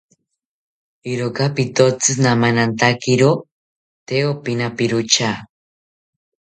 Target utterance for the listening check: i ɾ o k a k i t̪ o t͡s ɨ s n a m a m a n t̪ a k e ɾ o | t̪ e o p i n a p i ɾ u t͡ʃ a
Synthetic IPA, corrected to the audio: i ɾ o k a p i t̪ o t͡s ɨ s n a m a n a n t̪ a k i ɾ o | t̪ e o p i n a p i ɾ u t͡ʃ a